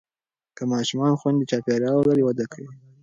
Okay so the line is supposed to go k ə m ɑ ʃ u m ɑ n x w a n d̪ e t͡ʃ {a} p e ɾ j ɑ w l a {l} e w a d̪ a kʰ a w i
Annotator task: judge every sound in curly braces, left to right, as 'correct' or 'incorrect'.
incorrect, incorrect

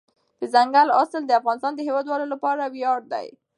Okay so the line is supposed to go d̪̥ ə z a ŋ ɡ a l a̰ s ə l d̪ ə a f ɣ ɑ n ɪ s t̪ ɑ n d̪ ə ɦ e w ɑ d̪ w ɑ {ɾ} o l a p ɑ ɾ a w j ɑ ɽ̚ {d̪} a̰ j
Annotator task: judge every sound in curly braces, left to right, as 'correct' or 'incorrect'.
incorrect, correct

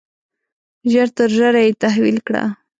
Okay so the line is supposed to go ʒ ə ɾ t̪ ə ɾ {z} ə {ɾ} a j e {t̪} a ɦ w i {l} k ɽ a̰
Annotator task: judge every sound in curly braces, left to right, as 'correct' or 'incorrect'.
incorrect, correct, correct, correct

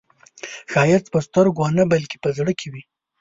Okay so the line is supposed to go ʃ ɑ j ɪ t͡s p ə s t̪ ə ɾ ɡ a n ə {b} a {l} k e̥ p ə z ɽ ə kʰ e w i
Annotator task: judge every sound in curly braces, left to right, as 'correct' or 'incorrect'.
correct, correct

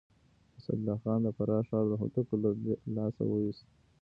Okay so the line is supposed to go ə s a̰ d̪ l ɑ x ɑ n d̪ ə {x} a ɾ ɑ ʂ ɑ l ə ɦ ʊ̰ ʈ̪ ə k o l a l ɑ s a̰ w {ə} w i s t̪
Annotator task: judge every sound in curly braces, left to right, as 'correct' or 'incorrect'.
incorrect, correct

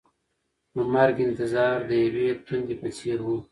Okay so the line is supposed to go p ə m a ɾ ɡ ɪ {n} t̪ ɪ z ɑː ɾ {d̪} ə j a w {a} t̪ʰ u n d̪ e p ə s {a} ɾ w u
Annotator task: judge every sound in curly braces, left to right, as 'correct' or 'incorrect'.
correct, correct, incorrect, incorrect

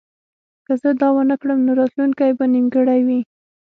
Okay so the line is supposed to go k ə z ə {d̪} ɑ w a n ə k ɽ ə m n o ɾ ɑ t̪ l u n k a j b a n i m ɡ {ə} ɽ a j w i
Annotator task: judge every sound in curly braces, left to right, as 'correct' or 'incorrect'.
correct, correct

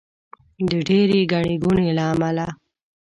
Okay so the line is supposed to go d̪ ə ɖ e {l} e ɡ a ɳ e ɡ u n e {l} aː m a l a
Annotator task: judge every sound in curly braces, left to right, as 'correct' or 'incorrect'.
incorrect, correct

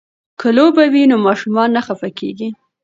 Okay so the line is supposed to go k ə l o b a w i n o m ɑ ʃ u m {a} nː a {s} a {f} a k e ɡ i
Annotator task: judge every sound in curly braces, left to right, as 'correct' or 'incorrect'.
incorrect, incorrect, correct

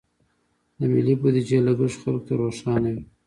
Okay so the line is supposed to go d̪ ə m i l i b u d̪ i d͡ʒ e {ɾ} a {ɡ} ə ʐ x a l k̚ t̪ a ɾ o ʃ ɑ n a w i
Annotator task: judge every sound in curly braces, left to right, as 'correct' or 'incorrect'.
incorrect, correct

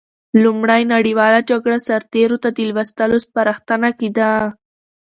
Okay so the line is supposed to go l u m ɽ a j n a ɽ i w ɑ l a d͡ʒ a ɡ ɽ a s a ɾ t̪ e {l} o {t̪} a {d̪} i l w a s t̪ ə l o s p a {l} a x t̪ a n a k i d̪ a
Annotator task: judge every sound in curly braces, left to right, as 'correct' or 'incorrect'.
incorrect, correct, correct, incorrect

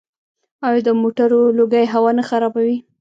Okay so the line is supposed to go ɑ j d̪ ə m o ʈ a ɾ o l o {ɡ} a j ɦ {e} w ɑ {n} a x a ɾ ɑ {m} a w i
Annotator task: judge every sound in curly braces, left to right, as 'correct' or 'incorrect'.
correct, incorrect, correct, incorrect

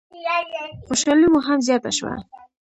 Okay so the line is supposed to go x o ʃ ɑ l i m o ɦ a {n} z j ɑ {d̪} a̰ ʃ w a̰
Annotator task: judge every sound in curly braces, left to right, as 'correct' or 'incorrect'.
incorrect, incorrect

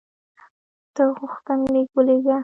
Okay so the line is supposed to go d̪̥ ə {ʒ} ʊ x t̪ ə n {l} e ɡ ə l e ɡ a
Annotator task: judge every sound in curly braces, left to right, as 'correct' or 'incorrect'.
incorrect, correct

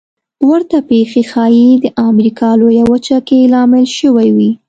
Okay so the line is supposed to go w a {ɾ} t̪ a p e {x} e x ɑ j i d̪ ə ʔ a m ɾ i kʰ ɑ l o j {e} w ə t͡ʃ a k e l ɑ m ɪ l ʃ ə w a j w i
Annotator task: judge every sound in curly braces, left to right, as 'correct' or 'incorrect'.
correct, correct, incorrect

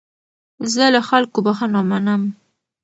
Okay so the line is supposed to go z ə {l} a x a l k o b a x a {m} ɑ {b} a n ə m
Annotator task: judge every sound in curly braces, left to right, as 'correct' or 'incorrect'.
correct, incorrect, incorrect

